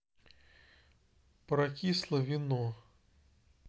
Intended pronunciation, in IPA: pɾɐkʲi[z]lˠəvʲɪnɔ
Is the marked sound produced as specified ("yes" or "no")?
no